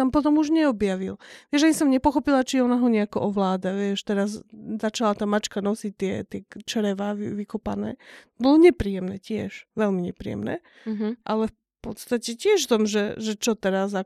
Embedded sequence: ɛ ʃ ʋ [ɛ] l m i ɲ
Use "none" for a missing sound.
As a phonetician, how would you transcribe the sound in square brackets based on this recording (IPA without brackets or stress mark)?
ɛ